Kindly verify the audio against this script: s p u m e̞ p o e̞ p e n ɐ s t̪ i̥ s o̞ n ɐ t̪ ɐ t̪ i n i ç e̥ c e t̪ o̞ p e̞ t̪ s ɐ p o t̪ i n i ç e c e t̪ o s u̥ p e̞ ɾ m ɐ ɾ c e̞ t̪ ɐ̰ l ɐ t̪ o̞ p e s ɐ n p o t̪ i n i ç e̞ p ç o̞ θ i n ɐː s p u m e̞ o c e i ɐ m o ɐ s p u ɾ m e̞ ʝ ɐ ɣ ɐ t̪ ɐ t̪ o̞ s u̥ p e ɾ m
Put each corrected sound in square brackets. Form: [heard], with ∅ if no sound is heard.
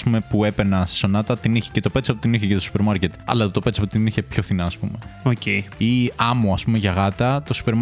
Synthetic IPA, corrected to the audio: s p u m e̞ p [u] e̞ p e n ɐ s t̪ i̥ s o̞ n ɐ t̪ ɐ t̪ i n i ç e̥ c e t̪ o̞ p e̞ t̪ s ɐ p o t̪ i n i ç e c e t̪ o s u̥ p e̞ ɾ m ɐ ɾ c e̞ t̪ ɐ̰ l ɐ t̪ o̞ p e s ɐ [∅] p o t̪ i n i ç e̞ p ç o̞ θ i n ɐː s p u m e̞ o c e i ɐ m o ɐ s p u [∅] m e̞ ʝ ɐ ɣ ɐ t̪ ɐ t̪ o̞ s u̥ p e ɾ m